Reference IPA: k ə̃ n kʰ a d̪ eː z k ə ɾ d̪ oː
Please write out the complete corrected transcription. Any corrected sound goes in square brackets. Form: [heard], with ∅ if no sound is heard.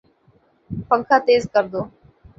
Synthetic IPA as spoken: [p] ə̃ [ŋ] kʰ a [t̪] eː z k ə ɾ d̪ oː